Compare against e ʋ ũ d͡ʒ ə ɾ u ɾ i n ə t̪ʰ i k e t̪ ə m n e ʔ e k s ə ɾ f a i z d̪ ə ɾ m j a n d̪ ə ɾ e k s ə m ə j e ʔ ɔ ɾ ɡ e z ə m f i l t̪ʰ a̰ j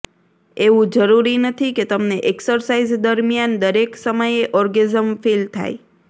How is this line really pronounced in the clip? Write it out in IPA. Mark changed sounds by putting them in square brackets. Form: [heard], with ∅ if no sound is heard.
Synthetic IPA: e ʋ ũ d͡ʒ ə ɾ u ɾ i n ə t̪ʰ i k e t̪ ə m n e ʔ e k s ə ɾ [s] a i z d̪ ə ɾ m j a n d̪ ə ɾ e k s ə m ə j e ʔ ɔ ɾ ɡ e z ə m f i l t̪ʰ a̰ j